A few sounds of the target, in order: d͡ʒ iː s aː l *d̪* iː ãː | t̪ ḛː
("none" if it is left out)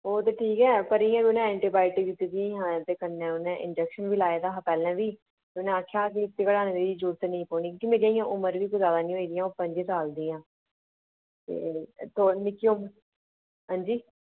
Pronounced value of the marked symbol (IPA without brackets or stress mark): d̪